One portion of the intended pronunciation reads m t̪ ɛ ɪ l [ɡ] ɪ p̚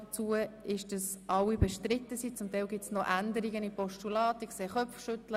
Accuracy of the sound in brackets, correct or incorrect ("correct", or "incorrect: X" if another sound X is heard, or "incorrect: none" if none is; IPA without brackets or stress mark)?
correct